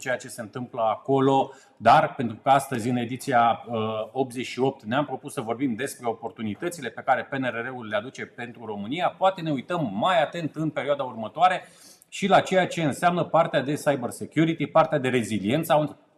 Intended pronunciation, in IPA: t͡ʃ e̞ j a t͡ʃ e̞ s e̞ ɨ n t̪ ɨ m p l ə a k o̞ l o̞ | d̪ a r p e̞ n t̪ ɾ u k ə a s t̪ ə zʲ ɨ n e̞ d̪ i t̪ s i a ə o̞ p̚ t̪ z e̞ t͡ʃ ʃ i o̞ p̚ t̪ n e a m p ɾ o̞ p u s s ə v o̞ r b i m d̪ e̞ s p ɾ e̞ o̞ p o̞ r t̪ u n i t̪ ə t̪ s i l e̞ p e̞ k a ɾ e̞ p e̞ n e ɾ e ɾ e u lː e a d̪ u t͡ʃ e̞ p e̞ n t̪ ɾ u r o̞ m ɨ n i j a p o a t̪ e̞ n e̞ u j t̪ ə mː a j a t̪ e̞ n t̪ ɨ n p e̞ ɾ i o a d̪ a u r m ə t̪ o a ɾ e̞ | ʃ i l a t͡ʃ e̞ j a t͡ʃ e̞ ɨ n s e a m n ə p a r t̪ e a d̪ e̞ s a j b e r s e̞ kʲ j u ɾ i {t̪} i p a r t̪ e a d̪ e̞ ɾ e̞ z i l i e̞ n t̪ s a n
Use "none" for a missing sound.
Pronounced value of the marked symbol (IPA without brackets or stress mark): t̪